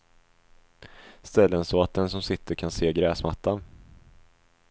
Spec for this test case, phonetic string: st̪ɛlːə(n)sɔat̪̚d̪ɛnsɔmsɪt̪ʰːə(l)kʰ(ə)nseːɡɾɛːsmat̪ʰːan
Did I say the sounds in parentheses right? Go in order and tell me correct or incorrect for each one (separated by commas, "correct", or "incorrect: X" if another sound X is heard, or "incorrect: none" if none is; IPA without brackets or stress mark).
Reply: correct, incorrect: ɾ, incorrect: a